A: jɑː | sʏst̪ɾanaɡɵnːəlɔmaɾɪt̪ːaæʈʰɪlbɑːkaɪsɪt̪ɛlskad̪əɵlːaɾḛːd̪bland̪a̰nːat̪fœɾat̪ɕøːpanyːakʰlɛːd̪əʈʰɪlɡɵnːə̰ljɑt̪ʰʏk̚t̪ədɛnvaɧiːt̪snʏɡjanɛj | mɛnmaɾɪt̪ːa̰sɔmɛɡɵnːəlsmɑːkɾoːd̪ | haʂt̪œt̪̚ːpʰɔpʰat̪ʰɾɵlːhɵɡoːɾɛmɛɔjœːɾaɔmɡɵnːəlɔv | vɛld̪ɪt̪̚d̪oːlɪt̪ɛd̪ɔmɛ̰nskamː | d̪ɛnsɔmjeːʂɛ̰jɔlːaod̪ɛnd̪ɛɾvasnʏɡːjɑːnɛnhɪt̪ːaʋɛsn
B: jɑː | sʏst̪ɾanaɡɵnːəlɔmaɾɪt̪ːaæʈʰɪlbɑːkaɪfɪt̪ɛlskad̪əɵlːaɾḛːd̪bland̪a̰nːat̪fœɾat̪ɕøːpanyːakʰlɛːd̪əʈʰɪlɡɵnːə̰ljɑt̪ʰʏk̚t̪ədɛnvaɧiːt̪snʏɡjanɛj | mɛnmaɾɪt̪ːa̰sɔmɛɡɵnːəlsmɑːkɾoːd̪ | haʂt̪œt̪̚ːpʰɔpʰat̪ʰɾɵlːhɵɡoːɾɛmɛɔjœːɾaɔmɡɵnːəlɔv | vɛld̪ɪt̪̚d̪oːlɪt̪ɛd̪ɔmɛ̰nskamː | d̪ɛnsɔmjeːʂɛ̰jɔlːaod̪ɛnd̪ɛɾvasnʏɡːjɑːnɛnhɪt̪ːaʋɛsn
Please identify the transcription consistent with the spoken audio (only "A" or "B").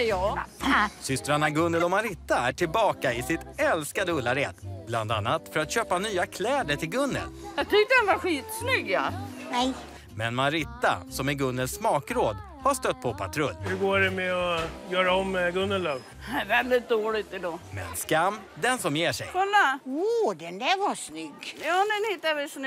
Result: A